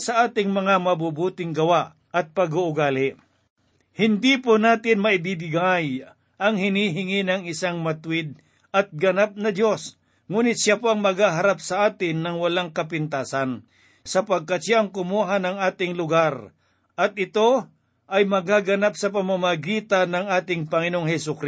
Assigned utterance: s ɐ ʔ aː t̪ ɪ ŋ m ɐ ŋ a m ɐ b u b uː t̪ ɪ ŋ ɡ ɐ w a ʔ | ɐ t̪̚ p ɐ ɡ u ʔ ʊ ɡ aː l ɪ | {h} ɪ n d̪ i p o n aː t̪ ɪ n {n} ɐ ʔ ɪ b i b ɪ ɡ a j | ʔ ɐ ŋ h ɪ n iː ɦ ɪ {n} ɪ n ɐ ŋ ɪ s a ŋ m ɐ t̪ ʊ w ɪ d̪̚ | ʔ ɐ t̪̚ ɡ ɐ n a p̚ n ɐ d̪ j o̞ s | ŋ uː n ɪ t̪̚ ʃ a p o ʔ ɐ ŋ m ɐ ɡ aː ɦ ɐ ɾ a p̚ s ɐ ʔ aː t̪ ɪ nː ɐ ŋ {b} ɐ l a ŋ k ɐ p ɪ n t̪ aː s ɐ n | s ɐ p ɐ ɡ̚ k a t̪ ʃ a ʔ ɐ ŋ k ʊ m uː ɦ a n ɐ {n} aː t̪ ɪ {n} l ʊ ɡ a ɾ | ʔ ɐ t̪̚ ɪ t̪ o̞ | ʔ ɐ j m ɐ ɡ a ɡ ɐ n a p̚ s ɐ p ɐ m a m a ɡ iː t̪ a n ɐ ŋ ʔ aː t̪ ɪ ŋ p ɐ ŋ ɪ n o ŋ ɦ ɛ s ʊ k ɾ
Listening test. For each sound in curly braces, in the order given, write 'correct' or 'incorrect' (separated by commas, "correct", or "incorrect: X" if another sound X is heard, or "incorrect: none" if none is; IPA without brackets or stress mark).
correct, incorrect: m, incorrect: ŋ, incorrect: w, incorrect: ŋ, incorrect: ŋ